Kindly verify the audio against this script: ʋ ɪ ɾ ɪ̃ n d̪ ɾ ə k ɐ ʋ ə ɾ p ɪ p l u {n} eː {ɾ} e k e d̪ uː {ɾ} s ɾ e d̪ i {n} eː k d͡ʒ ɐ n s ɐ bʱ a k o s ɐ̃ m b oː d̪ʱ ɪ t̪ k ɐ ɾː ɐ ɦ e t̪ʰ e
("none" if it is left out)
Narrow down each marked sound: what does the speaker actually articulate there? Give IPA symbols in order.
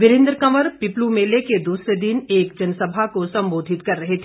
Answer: m, l, none, n

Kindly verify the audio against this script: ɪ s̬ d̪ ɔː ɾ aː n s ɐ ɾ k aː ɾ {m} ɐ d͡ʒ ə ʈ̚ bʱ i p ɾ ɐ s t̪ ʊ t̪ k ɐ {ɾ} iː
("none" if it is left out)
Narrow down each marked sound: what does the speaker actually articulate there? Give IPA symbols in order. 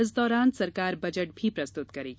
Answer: b, ɾ

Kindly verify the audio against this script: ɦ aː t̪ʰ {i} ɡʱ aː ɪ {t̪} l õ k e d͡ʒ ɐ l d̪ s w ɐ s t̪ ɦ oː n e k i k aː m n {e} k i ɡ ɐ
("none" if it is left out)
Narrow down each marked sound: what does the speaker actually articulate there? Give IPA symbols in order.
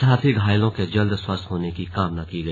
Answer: i, none, a

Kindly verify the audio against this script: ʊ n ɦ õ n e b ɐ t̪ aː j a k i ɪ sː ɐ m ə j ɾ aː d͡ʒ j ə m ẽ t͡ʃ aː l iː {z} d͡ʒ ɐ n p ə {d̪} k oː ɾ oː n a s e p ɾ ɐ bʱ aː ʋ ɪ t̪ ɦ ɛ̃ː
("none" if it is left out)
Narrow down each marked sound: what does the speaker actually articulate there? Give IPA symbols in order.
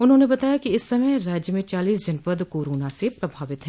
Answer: s, d̪

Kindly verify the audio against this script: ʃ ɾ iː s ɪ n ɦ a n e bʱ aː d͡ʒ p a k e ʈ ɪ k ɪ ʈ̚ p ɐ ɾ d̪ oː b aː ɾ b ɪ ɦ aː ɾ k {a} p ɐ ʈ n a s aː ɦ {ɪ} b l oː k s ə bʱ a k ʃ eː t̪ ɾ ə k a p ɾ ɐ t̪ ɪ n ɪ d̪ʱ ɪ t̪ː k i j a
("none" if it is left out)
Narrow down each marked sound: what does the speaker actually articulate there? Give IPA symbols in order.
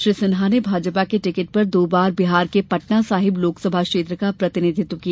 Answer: e, ɪ

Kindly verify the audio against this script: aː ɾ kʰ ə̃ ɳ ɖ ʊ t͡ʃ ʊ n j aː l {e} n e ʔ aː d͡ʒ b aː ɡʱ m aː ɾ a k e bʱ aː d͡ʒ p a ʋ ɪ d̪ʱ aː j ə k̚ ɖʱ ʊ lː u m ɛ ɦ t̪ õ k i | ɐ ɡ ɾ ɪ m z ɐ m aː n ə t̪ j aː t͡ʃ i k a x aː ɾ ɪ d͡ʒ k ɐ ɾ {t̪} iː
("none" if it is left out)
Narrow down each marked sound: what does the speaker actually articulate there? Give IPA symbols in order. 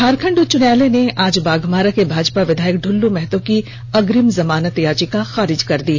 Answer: e, d̪

